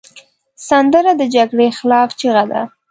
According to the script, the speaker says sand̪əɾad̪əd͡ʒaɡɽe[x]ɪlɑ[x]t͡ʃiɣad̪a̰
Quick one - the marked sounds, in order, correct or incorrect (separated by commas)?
correct, incorrect